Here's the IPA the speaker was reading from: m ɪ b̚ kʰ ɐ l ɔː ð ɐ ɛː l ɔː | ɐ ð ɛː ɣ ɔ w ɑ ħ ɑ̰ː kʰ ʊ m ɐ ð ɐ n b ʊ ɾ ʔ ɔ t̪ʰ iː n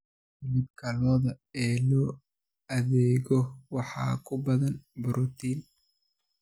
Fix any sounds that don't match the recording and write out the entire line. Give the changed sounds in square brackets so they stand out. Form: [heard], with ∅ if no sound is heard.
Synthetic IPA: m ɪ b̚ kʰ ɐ l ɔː ð ɐ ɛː l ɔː | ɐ ð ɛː ɣ ɔ w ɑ ħ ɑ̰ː kʰ ʊ [b] ɐ ð ɐ n b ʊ ɾ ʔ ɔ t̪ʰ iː n